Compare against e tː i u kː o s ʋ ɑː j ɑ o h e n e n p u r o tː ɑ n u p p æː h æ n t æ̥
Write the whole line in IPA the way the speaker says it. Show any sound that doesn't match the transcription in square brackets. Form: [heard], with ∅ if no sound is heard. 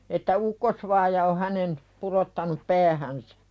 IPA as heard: e tː [æ] u kː o s ʋ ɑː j ɑ o h [æ] n e n p u r o tː ɑ n u p p æː h æ n [s] æ̥